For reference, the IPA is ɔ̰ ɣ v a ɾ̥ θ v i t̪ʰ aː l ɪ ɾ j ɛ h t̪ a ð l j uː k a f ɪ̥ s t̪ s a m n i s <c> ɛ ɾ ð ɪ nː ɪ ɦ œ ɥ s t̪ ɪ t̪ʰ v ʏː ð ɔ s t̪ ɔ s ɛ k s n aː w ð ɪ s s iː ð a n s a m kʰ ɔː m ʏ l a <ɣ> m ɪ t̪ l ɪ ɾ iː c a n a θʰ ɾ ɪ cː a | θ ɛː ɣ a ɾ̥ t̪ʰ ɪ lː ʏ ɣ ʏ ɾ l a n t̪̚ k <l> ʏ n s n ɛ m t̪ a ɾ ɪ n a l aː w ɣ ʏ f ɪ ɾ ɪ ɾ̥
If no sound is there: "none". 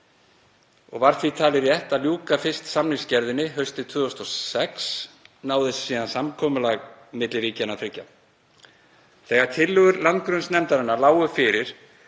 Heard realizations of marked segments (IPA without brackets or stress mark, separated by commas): c, ɣ, ɾ